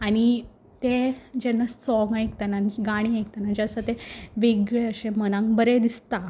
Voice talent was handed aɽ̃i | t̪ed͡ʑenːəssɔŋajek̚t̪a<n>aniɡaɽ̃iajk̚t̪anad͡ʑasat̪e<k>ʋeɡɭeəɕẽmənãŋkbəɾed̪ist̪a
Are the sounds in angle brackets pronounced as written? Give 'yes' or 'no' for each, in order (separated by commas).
yes, no